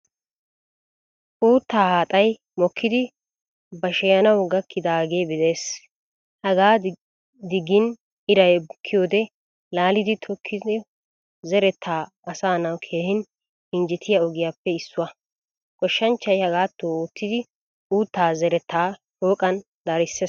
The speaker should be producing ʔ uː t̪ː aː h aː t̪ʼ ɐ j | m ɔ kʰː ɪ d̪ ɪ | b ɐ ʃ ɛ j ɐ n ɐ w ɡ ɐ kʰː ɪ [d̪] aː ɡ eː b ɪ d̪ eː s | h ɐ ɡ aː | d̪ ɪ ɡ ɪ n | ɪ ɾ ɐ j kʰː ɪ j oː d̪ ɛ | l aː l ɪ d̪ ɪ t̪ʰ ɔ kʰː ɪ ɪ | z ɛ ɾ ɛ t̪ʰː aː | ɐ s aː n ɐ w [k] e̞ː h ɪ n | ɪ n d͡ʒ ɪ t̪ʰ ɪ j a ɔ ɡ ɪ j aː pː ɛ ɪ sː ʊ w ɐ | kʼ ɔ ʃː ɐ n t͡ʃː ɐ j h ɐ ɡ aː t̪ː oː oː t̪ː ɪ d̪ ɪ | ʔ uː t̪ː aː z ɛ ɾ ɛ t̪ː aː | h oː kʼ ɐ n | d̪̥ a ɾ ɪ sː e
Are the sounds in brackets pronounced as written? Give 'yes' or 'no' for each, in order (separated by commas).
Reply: yes, no